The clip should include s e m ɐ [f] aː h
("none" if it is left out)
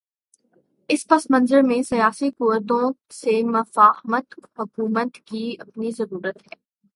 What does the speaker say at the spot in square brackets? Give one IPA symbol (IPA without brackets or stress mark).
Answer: f